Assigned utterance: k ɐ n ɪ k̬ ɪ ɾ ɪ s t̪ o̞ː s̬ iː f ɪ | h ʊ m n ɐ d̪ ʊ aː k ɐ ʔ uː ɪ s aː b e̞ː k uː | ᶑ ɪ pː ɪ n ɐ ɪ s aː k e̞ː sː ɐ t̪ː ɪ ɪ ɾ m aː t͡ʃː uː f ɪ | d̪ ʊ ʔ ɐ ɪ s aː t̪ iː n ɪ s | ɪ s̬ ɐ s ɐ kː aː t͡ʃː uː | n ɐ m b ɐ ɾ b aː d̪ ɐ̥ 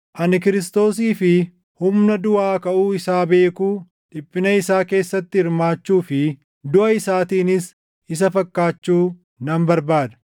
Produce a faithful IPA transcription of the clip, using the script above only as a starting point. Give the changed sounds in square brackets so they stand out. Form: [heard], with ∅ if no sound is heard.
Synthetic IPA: [ʔ] ɐ n ɪ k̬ ɪ ɾ ɪ s t̪ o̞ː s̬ iː f ɪ | h ʊ m n ɐ d̪ ʊ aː k ɐ ʔ uː ɪ s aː b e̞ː k uː | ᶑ ɪ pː ɪ n ɐ ɪ s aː k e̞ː sː ɐ t̪ː ɪ ɪ ɾ m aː t͡ʃː uː f ɪ | d̪ ʊ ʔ ɐ ɪ s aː t̪ iː n ɪ s | ɪ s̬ ɐ [f] ɐ kː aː t͡ʃː uː | n ɐ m b ɐ ɾ b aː d̪ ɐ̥